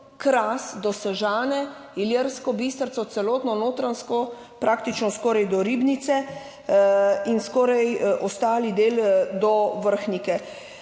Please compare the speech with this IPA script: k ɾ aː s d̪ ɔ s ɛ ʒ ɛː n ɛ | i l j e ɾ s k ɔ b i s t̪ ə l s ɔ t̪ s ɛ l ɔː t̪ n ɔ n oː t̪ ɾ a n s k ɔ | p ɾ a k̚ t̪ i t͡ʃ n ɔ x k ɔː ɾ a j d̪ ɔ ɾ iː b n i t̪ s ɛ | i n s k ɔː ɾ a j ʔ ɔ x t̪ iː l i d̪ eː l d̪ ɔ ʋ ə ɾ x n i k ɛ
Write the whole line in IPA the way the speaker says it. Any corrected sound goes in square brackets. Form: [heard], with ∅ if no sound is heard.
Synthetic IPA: k ɾ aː s d̪ ɔ s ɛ ʒ [aː] n ɛ | i l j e ɾ s k ɔ b i s t̪ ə [ɾ] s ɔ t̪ s ɛ l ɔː t̪ n ɔ n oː t̪ ɾ a n s k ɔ | p ɾ a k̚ t̪ i t͡ʃ n ɔ [s] k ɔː ɾ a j d̪ ɔ ɾ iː b n i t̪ s ɛ | i n s k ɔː ɾ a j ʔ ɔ [s] t̪ [aː] l i d̪ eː l d̪ ɔ ʋ ə ɾ x n i k ɛ